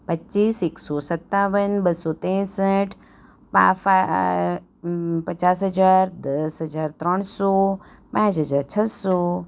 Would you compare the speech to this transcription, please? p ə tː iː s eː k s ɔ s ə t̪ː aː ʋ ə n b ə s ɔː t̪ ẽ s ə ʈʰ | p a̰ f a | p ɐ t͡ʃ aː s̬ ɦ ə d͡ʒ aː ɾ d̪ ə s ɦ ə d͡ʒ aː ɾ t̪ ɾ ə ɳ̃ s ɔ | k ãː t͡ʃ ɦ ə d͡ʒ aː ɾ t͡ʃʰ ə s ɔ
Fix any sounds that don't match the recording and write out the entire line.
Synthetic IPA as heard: p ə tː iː s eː k s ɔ s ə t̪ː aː ʋ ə n b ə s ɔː t̪ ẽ s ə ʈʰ | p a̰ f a | p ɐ t͡ʃ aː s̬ ɦ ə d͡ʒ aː ɾ d̪ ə s ɦ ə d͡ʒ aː ɾ t̪ ɾ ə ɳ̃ s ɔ | p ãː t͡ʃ ɦ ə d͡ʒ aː ɾ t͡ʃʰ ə s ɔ